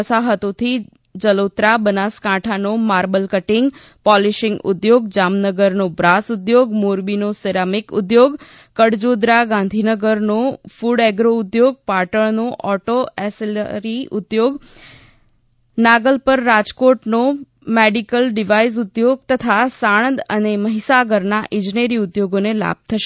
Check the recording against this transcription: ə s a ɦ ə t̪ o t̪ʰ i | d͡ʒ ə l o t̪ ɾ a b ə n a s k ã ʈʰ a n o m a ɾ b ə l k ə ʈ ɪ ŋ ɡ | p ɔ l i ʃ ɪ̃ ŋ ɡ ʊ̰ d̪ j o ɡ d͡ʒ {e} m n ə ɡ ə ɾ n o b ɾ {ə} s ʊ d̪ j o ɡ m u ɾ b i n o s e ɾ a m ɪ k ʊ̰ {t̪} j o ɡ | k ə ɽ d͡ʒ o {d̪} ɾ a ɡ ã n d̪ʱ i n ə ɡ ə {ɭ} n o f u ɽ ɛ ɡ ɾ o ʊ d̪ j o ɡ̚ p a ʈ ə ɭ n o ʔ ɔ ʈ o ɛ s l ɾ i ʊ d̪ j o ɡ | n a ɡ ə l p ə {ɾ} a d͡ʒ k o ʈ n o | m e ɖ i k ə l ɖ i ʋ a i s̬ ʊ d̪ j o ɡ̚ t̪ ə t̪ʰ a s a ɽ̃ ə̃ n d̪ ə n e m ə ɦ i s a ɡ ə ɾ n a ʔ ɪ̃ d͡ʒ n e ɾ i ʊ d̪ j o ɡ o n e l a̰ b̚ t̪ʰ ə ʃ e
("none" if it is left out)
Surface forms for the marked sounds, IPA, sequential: a, a, d̪, d̪, ɾ, ɾː

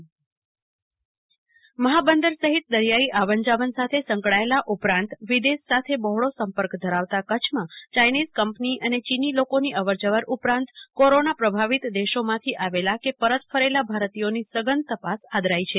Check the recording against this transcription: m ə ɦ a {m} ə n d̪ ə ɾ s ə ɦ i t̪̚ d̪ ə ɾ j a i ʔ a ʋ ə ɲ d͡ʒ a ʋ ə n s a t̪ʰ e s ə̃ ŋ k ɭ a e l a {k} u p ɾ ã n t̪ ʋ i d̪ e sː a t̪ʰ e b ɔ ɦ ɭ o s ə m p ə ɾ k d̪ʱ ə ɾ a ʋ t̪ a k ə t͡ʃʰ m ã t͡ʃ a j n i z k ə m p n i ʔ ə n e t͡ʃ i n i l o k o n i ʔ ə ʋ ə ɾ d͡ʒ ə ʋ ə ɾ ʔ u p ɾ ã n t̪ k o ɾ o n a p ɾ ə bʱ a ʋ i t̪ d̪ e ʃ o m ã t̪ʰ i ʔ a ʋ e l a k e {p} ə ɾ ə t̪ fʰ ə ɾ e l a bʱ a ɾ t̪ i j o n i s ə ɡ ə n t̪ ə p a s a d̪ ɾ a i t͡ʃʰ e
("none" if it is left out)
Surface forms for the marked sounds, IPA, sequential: b, ʔ, p

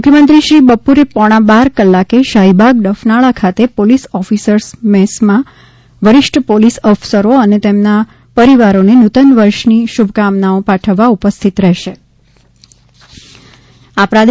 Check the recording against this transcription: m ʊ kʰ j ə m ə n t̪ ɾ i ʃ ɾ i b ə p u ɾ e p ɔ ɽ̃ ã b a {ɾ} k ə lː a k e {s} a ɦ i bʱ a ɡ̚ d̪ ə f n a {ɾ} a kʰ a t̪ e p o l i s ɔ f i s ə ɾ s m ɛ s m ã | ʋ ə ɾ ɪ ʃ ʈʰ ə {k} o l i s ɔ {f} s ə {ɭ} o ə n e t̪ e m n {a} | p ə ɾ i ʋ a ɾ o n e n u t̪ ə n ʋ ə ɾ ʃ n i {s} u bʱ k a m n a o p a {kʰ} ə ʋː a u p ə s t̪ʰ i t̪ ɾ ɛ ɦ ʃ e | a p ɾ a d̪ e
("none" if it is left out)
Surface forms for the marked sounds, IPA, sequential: ɾ, ʃ, ɭ, p, f, ɾ, a, ʃ, ʈʰ

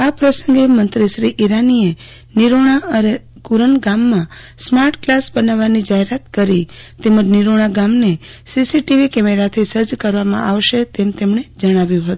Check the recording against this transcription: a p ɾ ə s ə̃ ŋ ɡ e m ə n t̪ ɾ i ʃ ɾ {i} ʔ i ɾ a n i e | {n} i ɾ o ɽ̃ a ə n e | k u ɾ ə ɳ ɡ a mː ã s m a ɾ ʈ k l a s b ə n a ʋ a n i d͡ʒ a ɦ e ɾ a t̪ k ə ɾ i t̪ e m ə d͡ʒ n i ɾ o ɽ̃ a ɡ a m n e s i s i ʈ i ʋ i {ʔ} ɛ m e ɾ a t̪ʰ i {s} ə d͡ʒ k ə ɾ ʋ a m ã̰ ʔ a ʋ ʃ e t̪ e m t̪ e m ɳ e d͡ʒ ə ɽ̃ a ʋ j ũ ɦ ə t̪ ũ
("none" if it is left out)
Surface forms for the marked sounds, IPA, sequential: i, n, k, s

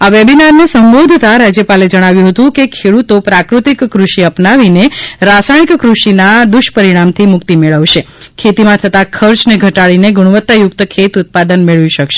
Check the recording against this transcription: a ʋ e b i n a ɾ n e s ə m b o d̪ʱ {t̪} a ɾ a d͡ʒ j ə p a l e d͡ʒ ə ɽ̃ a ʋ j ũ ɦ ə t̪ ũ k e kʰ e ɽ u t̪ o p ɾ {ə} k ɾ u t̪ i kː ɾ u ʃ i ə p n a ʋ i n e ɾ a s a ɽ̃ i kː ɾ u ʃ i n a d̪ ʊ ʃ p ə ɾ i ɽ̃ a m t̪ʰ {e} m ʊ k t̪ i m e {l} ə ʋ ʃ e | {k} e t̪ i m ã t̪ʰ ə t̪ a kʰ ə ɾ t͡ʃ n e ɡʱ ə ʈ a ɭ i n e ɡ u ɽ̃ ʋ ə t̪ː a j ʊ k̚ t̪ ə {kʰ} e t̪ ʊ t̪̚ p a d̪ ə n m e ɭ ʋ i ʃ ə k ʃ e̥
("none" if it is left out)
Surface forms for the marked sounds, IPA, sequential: t̪, a, i, ɭ, kʰ, kʰ

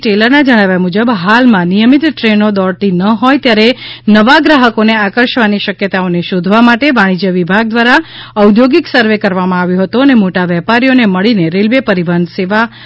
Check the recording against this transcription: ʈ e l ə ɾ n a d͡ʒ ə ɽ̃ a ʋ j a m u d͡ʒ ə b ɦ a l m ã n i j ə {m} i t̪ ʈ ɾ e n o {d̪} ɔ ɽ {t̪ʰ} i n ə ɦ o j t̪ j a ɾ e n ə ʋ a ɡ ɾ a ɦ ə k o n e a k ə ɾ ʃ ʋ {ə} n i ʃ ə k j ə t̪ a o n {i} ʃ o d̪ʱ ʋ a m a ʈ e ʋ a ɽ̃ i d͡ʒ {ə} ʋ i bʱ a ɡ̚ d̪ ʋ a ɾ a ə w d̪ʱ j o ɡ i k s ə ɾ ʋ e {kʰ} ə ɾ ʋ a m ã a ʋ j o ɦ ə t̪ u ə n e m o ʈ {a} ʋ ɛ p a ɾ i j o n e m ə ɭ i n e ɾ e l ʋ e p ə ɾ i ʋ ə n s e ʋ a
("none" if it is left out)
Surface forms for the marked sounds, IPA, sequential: m, d̪, t̪, a, e, ə, k, a

